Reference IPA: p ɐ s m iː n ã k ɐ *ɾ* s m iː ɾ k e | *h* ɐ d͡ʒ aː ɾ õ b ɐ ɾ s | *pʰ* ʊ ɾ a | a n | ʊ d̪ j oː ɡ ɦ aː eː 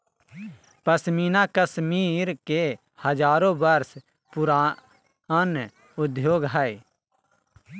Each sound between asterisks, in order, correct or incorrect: incorrect: none, correct, incorrect: p

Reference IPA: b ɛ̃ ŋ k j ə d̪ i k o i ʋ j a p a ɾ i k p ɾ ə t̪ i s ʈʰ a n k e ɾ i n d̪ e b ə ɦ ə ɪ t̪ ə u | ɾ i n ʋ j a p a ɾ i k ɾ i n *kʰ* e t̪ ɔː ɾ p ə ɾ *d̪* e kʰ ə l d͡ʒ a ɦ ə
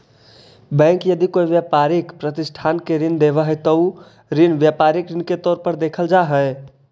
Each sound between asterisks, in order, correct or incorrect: incorrect: k, correct

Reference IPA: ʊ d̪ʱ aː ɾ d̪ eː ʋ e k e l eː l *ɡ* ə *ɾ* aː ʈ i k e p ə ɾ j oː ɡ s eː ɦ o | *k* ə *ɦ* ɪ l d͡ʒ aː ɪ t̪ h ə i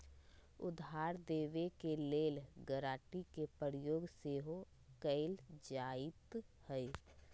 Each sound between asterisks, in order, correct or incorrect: correct, correct, correct, incorrect: none

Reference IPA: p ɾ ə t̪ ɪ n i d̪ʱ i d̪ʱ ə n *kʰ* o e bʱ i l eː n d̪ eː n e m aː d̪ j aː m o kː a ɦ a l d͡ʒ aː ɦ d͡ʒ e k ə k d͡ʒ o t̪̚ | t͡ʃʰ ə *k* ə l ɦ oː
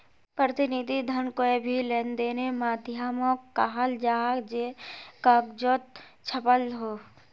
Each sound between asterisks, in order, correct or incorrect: incorrect: k, incorrect: p

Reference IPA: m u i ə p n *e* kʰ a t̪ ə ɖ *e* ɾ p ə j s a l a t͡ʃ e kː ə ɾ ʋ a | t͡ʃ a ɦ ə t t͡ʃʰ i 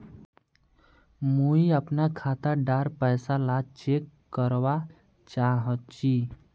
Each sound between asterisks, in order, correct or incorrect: incorrect: a, incorrect: a

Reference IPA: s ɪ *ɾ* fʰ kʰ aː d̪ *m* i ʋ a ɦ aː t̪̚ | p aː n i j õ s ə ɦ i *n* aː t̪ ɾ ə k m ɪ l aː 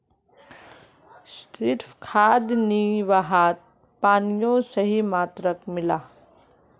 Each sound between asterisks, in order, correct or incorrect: correct, incorrect: n, incorrect: m

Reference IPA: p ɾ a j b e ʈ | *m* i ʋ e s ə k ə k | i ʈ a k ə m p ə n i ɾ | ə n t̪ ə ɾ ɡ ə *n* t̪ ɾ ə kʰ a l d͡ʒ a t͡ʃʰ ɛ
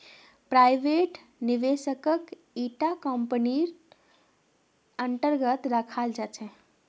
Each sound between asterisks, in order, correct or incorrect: incorrect: n, incorrect: none

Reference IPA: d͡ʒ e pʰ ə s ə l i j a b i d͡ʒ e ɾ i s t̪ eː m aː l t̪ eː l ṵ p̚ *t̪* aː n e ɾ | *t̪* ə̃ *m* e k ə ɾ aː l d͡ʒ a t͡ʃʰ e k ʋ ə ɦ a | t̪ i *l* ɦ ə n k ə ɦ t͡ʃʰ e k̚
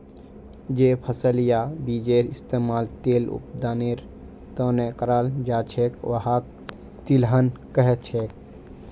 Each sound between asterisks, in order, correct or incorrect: incorrect: d̪, correct, incorrect: n, correct

